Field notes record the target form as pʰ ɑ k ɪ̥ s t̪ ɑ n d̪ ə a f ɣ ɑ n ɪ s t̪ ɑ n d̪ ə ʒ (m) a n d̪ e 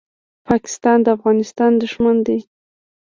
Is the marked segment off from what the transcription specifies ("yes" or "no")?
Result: no